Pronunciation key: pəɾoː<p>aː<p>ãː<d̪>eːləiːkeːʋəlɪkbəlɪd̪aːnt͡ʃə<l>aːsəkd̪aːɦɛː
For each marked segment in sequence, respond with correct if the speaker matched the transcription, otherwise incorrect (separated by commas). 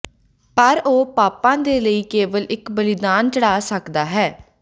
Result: correct, correct, correct, incorrect